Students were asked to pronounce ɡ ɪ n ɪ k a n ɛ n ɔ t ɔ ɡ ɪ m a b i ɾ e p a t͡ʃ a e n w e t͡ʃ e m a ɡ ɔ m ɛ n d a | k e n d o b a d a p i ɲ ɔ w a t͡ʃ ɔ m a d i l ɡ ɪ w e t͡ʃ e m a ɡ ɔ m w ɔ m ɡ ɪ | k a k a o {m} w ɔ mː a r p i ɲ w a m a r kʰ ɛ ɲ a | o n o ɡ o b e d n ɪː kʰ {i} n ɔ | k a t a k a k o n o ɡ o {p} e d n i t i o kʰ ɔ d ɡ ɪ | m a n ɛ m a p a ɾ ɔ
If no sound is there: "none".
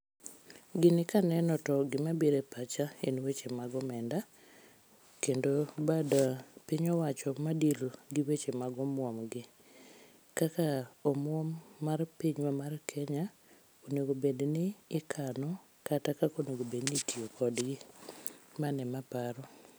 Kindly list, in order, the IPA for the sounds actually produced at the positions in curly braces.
m, a, b

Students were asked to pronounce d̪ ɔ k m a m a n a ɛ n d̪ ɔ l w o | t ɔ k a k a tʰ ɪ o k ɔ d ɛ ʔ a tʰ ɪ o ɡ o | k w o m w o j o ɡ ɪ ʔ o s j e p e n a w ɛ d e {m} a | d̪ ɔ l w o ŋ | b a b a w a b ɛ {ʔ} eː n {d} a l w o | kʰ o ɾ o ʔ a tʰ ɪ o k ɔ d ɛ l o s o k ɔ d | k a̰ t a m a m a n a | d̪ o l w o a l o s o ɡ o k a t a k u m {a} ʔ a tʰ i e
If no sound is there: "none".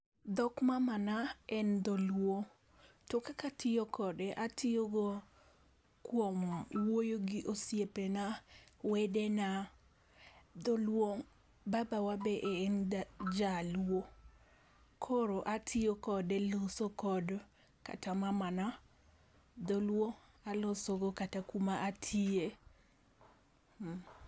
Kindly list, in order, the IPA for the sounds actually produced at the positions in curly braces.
n, ʔ, d͡ʒ, a

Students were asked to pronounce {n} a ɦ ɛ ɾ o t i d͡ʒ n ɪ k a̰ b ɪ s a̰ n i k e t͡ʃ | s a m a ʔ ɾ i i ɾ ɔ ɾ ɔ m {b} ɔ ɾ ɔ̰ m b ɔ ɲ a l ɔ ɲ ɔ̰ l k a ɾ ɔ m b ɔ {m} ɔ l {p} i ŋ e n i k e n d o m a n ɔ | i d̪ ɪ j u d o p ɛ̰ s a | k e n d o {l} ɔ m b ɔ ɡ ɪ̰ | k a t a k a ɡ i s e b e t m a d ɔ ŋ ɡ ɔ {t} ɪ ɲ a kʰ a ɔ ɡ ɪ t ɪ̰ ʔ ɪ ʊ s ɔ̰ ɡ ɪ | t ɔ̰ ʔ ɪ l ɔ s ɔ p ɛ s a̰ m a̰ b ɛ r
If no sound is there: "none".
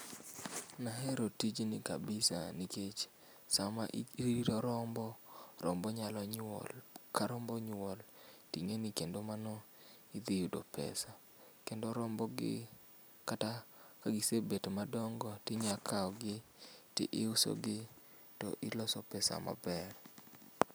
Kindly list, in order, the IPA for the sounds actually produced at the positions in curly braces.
n, b, ɲ, t, ɾ, t

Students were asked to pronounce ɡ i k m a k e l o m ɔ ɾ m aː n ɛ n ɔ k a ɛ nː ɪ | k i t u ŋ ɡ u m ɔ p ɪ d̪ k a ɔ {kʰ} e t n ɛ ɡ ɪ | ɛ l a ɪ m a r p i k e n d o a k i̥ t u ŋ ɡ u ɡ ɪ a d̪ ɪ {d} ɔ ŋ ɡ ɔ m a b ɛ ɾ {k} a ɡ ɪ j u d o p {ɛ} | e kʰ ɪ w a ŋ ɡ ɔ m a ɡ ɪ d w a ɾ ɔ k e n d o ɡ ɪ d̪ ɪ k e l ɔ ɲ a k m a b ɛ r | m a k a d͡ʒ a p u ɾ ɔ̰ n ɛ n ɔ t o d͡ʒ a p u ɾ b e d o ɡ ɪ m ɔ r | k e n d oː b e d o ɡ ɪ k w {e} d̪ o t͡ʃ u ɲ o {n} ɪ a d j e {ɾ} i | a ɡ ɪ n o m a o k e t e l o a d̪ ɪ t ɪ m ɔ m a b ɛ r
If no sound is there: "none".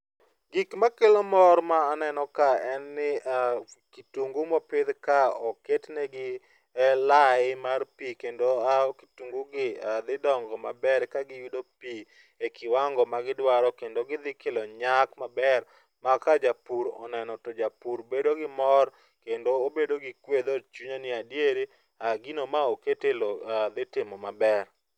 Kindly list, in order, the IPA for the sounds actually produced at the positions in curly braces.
k, d, k, i, e, n, ɾ

